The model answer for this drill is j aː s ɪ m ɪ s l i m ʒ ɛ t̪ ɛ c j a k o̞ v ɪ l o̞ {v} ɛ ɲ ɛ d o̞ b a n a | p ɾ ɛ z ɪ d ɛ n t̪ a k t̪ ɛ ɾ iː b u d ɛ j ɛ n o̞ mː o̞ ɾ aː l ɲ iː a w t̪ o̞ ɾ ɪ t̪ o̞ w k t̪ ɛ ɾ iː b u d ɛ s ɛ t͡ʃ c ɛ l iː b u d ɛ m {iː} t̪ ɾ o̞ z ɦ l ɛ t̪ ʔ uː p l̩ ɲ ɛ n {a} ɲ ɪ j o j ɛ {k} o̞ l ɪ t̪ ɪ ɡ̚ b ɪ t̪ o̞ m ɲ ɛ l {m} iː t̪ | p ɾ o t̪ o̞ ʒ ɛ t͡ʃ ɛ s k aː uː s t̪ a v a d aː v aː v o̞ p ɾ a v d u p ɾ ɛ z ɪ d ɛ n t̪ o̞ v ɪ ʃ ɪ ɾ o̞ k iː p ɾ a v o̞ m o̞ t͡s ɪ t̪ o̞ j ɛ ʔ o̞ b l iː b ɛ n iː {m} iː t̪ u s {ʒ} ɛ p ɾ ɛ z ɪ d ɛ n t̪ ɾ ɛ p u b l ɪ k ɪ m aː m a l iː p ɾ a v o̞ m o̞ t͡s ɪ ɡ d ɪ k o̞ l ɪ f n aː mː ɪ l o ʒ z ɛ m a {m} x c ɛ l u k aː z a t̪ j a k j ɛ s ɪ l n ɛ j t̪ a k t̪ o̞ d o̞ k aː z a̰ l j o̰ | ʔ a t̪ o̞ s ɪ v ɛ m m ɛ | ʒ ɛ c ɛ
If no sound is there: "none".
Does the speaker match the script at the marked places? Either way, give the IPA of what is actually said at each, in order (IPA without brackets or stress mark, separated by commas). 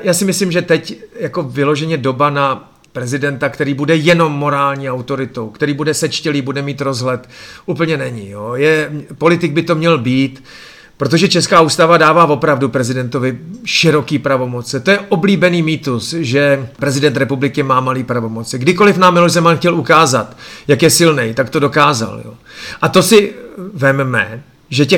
ʒ, iː, ɛ, p, b, m, ʒ, n